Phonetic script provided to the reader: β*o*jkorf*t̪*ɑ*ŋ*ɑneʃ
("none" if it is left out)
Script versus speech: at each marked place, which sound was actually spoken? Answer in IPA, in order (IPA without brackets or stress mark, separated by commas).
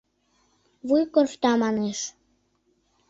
u, t̪, m